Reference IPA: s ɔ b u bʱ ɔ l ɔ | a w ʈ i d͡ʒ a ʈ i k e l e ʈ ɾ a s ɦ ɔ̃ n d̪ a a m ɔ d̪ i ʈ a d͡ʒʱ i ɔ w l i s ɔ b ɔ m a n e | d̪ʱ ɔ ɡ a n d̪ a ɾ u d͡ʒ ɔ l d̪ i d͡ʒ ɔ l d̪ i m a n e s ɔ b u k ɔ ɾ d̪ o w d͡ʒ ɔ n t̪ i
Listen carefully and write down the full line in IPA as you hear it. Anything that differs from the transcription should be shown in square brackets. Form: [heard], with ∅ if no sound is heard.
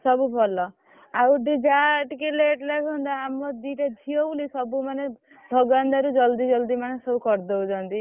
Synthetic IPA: s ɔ b u bʱ ɔ l ɔ | a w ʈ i d͡ʒ a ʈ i k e l e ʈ [l] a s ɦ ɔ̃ n d̪ a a m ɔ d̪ i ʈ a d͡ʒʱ i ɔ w l i s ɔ b [u] m a n e | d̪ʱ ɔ ɡ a n d̪ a ɾ u d͡ʒ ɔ l d̪ i d͡ʒ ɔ l d̪ i m a n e s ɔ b u k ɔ ɾ d̪ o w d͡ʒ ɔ n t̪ i